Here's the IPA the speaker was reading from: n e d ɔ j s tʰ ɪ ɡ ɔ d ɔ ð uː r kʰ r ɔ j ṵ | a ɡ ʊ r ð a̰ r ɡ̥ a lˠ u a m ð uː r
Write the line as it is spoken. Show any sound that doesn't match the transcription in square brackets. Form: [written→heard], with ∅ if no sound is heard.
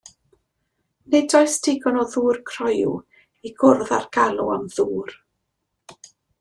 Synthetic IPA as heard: n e d ɔ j s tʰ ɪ ɡ ɔ [d→n] ɔ ð uː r kʰ r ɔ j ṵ | [a→i] ɡ ʊ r ð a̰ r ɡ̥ a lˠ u a m ð uː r